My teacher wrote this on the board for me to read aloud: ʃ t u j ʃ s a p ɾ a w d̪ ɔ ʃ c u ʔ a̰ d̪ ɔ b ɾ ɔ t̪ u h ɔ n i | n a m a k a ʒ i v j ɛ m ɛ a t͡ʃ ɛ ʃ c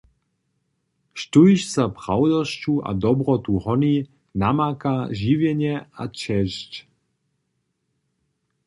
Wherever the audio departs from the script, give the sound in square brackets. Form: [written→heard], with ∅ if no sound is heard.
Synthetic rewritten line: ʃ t u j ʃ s a p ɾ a w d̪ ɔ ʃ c u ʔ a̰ d̪ ɔ b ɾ ɔ t̪ u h ɔ n i | n a m a k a ʒ i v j ɛ [m→ɲ] ɛ a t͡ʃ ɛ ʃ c

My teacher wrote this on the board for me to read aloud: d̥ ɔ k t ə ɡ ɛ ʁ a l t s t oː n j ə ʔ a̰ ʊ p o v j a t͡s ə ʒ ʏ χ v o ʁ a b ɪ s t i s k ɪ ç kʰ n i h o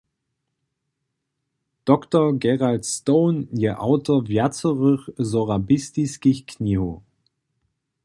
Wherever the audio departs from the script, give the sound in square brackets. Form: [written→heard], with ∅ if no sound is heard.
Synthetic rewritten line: d̥ ɔ k t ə ɡ ɛ ʁ a l t s t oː n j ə ʔ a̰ ʊ [p→t] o v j a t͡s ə [ʒ→ʁ] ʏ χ [v→z] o ʁ a b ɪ s t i s k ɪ ç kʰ n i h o

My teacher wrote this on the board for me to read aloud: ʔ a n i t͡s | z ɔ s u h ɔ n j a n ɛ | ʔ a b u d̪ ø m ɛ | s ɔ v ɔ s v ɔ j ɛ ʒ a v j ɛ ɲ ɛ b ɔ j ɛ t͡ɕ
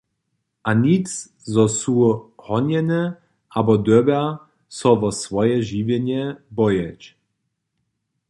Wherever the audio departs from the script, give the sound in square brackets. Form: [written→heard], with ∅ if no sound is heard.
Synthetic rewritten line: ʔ a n i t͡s | z ɔ s u h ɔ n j [a→ɛ] n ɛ | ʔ a b [u→ɔ] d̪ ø [m→b] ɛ | s ɔ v ɔ s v ɔ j ɛ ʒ [a→i] v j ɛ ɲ ɛ b ɔ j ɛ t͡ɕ

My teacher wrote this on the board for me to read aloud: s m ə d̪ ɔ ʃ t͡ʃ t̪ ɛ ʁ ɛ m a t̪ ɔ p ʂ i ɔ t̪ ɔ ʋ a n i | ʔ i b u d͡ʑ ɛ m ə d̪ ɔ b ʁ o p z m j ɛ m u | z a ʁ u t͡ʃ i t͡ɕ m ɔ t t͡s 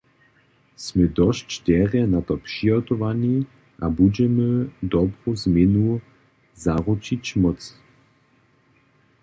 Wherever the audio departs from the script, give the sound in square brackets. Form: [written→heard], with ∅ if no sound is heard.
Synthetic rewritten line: s m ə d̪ ɔ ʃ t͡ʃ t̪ ɛ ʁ ɛ [m→n] a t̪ ɔ p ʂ i ɔ t̪ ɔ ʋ a n i | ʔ [i→a] b u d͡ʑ ɛ m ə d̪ ɔ b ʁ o [p→∅] z m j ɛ [m→n] u | z a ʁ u t͡ʃ i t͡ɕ m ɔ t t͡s

